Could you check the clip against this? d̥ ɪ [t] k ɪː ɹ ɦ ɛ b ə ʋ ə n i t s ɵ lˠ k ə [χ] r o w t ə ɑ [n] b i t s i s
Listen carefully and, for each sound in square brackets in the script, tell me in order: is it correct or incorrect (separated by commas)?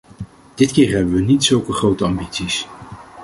correct, correct, incorrect